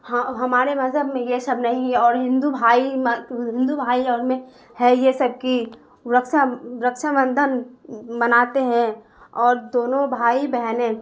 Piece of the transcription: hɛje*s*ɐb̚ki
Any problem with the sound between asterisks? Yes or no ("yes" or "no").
no